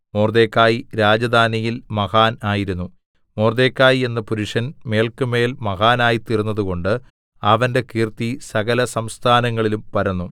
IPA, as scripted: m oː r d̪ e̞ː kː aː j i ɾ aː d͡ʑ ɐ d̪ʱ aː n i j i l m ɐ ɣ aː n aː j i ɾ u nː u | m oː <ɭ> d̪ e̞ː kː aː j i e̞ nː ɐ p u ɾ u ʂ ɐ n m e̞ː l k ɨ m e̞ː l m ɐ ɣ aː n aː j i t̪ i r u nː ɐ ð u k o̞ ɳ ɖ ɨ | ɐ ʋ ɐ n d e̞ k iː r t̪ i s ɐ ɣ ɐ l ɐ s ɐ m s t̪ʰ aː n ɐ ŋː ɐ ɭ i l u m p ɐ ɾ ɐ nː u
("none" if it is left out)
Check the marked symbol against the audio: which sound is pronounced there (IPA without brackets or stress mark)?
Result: r